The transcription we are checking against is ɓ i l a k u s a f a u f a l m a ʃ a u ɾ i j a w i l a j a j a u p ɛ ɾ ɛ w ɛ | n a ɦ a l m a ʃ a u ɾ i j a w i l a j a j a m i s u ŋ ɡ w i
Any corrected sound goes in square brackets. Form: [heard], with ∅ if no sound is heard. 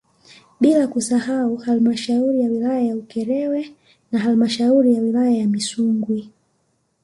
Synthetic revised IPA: ɓ i l a k u s a [h] a u [h] a l m a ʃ a u ɾ i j a w i l a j a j a u [k] ɛ ɾ ɛ w ɛ | n a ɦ a l m a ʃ a u ɾ i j a w i l a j a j a m i s u ŋ ɡ w i

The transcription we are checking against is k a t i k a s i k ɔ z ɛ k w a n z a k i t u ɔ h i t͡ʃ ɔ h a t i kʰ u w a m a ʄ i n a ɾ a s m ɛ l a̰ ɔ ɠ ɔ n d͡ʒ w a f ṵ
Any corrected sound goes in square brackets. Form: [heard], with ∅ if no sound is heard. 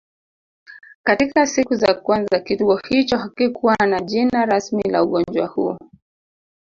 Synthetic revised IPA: k a t i k a s i k [u] z [a] k w a n z a k i t u ɔ h i t͡ʃ ɔ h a [k] i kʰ u w a [n] a ʄ i n a ɾ a s m [i] l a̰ [u] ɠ ɔ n d͡ʒ w a [h] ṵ

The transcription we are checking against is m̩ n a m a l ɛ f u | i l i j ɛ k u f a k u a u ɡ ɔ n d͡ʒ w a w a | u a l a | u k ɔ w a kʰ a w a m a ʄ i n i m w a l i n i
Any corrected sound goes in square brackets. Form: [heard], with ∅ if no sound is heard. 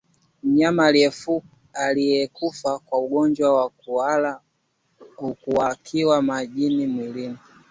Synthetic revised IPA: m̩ [ɲ] a m a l ɛ f u | [a] l i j ɛ k u f a k [w] a u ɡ ɔ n d͡ʒ w a w a | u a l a | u k [u] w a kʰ [i] w a m a ʄ i n i m w [i] l i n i

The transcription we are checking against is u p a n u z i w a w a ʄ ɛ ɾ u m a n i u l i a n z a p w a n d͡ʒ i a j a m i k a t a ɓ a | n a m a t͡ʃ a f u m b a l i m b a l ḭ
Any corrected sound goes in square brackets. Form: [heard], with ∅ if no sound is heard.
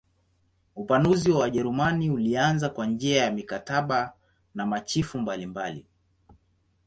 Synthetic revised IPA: u p a n u z i w a w a ʄ ɛ ɾ u m a n i u l i a n z a [k] w a n d͡ʒ i a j a m i k a t a ɓ a | n a m a t͡ʃ [i] f u m b a l i m b a l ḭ

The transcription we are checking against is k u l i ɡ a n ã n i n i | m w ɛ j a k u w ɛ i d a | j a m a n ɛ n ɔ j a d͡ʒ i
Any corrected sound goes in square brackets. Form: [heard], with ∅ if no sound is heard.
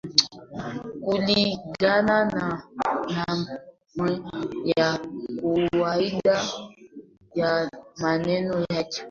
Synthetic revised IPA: k u l i ɡ a n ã n [a] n [a] | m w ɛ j a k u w [a] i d a | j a m a n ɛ n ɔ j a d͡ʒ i

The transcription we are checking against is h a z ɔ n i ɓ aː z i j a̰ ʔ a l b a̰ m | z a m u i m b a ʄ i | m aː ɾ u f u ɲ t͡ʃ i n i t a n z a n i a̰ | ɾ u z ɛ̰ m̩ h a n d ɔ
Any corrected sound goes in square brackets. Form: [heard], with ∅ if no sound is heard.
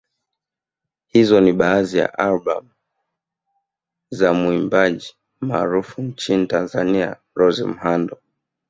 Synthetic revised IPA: h [i] z ɔ n i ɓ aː z i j a̰ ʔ a l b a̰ m | z a m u i m b a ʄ i | m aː ɾ u f u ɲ t͡ʃ i n i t a n z a n i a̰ | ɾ [ɔ] z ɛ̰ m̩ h a n d ɔ

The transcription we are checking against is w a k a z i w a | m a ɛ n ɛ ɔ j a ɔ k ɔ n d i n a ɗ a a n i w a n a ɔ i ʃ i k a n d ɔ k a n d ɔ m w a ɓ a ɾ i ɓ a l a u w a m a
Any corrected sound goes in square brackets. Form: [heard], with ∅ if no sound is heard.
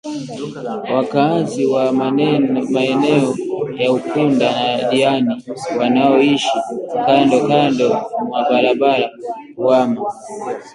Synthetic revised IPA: w a k a z i w a | m a ɛ n ɛ ɔ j a [u] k [u] n d [a] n a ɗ [i] a n i w a n a ɔ i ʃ i k a n d ɔ k a n d ɔ m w a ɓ a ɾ [a] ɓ a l a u w a m a

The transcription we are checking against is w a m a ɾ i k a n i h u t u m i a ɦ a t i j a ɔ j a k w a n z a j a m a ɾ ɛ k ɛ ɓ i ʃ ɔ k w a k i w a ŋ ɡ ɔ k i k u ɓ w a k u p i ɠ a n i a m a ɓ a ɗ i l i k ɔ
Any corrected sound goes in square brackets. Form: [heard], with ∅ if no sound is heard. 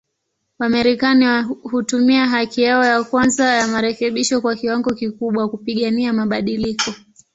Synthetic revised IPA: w a m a ɾ i k a n i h u t u m i a ɦ a [k] i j a ɔ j a k w a n z a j a m a ɾ ɛ k ɛ ɓ i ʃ ɔ k w a k i w a ŋ ɡ ɔ k i k u ɓ w a k u p i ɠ a n i a m a ɓ a ɗ i l i k ɔ

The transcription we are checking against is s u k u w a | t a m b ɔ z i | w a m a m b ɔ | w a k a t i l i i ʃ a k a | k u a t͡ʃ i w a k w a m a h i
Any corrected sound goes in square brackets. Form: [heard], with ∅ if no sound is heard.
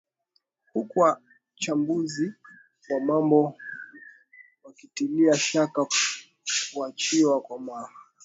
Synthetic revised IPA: [h] u k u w a | [t͡ʃ] a m b [u] z i | w a m a m b ɔ | w a k [i] t i l i [a] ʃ a k a | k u a t͡ʃ i w a k w a m a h [a]

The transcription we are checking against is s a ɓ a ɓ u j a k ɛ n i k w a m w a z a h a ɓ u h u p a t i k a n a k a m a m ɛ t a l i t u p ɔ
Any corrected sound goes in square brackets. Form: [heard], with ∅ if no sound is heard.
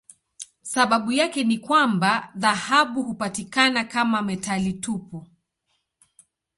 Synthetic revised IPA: s a ɓ a ɓ u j a k ɛ n i k w a m [b] a [ð] a h a ɓ u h u p a t i k a n a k a m a m ɛ t a l i t u p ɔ

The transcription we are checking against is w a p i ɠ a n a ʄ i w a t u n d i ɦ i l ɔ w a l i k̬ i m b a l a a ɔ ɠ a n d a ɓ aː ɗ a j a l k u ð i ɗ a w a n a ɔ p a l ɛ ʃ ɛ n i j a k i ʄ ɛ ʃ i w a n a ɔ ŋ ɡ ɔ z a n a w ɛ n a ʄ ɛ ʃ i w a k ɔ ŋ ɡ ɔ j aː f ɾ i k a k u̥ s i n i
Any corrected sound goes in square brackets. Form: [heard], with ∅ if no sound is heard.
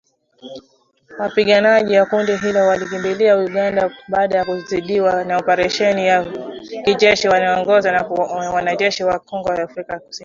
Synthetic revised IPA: w a p i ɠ a n a ʄ i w a [k] u n d i ɦ i l ɔ w a l i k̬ i m b [i] l [i] a [u] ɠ a n d a ɓ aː ɗ a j a [∅] k u [z] i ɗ [i] w a n a ɔ p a [ɾ] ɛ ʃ ɛ n i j a k i ʄ ɛ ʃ i w a n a ɔ ŋ ɡ ɔ z a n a w [a] n a ʄ ɛ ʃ i w a k ɔ ŋ ɡ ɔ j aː f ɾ i k a k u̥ s i n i

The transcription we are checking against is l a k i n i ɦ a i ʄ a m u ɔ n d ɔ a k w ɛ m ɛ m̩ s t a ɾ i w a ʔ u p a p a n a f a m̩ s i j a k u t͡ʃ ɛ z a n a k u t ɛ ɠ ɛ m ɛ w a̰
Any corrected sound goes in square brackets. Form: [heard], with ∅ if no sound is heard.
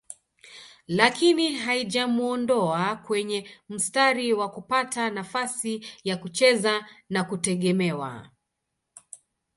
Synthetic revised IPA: l a k i n i ɦ a i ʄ a m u ɔ n d ɔ a k w ɛ [ɲ] ɛ m̩ s t a ɾ i w a [k] u p a [t] a n a f a [∅] s i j a k u t͡ʃ ɛ z a n a k u t ɛ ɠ ɛ m ɛ w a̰

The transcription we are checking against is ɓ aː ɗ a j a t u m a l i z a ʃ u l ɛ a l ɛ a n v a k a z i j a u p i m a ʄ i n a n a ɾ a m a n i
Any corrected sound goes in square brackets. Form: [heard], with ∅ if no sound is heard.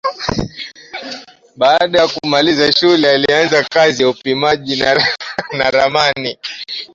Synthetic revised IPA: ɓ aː ɗ a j a [k] u m a l i z a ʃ u l ɛ a l [i] a n [z] a k a z i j a u p i m a ʄ i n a n a ɾ a m a n i

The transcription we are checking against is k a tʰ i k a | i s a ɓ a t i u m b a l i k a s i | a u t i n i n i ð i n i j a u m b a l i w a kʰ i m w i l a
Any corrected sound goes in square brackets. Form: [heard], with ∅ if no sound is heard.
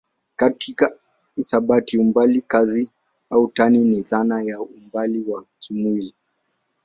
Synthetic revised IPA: k a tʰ i k a | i s a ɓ a t i u m b a l i k a [z] i | a u t [a] n i n i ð [a] n [a] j a u m b a l i w a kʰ i m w i l [i]

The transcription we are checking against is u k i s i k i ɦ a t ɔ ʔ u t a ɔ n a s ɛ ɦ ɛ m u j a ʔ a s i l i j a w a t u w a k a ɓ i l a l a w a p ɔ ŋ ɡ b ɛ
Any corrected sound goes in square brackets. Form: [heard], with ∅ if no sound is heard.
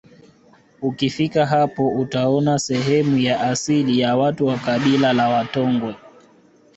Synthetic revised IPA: u k i [f] i k [a] ɦ a [p] ɔ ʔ u t a ɔ n a s ɛ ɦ ɛ m u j a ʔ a s i l i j a w a t u w a k a ɓ i l a l a w a [t] ɔ ŋ ɡ [w] ɛ

